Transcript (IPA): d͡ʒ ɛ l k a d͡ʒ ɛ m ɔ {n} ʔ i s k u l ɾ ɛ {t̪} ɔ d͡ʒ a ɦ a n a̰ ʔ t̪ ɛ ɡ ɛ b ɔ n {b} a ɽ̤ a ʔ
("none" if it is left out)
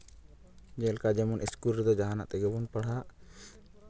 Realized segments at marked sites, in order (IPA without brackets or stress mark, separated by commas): n, d̪, p